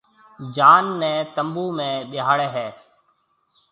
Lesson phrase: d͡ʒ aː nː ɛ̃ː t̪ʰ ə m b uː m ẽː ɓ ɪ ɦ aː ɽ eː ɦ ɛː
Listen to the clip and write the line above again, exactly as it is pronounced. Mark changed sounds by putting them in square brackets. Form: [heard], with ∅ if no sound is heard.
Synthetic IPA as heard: d͡ʒ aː nː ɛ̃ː [t̪] ə m b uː m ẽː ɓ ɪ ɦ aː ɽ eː ɦ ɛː